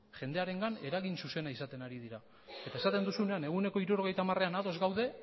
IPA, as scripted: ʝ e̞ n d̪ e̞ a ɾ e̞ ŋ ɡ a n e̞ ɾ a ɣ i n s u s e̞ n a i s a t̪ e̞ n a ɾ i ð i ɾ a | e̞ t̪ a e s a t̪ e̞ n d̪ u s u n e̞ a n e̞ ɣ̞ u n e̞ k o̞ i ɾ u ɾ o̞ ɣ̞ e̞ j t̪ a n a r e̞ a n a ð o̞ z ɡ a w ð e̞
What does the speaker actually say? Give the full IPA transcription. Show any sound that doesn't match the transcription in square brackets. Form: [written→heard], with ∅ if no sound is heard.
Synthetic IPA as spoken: ʝ e̞ n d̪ e̞ a ɾ e̞ ŋ ɡ a n e̞ ɾ a ɣ i n s u s e̞ n a i s a t̪ e̞ n a ɾ i ð i ɾ a | e̞ t̪ a e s a t̪ e̞ n d̪ u s u n e̞ a n e̞ ɣ̞ u n e̞ k o̞ i ɾ u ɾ o̞ ɣ̞ e̞ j t̪ a [n→m] a r e̞ a n a ð o̞ z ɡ a w ð e̞